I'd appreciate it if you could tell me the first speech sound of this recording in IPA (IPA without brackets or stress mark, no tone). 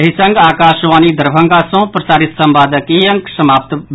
ɦ